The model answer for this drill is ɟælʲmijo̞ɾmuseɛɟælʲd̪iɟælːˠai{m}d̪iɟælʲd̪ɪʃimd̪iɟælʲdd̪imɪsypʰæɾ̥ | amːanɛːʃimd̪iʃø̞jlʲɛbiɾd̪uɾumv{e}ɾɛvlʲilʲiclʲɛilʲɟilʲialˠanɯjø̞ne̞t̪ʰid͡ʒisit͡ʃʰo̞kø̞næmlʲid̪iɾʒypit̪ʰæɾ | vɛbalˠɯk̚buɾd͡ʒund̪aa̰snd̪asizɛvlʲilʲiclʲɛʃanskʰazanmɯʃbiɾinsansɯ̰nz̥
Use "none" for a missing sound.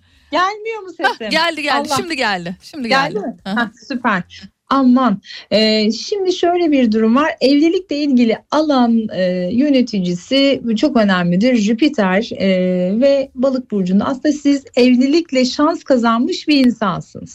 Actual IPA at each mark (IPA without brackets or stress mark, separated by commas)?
m, a